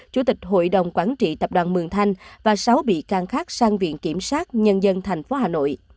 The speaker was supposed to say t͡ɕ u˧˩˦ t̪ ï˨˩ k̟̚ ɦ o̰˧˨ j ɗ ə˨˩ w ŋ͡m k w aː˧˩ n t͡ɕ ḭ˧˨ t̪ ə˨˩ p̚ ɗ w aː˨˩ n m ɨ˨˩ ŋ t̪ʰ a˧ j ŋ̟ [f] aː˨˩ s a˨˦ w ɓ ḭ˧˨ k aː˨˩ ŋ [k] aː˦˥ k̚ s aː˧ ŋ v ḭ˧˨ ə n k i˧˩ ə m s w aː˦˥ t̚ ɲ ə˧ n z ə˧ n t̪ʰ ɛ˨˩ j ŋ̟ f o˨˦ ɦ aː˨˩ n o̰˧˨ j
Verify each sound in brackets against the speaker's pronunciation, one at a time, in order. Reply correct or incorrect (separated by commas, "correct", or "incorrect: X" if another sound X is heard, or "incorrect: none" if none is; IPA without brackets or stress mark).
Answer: incorrect: v, incorrect: x